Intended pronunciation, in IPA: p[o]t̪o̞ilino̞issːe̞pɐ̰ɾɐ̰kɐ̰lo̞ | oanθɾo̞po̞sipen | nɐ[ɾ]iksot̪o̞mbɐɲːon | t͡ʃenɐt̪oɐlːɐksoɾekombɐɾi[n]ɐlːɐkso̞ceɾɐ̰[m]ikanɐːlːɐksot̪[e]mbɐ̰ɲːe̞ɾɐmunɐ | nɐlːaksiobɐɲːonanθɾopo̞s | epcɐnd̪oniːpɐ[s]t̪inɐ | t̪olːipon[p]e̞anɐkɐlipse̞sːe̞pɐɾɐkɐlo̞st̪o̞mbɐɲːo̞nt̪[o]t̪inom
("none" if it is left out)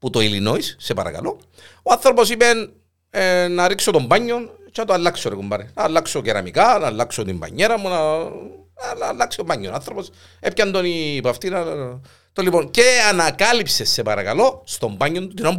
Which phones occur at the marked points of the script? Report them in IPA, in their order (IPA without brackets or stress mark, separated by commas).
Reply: u, ɾ, n, m, i, f, c, u